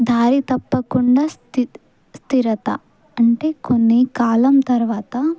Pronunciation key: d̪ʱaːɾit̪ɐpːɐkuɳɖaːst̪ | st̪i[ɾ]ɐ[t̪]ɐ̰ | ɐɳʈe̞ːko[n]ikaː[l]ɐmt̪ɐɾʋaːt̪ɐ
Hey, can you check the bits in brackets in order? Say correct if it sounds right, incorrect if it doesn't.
correct, correct, incorrect, correct

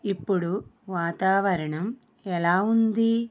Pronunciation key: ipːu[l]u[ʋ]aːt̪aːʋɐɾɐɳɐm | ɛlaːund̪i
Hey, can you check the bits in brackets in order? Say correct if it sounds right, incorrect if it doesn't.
incorrect, correct

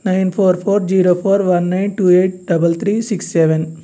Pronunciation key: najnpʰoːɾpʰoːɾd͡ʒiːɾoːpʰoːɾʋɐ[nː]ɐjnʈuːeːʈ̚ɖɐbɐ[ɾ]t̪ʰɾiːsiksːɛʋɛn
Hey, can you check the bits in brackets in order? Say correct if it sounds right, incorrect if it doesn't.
correct, incorrect

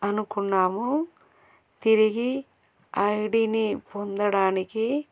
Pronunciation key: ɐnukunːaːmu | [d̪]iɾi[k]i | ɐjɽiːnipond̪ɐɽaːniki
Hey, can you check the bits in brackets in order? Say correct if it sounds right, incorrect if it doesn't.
incorrect, incorrect

